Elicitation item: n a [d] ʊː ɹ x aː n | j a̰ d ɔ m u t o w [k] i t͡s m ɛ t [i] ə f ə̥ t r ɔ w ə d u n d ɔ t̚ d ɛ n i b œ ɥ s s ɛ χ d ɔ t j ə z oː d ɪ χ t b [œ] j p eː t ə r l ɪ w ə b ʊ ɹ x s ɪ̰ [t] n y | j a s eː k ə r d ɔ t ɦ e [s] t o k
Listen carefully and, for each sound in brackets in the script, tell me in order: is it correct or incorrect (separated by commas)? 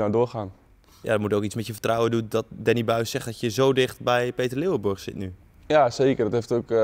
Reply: correct, correct, incorrect, incorrect, correct, incorrect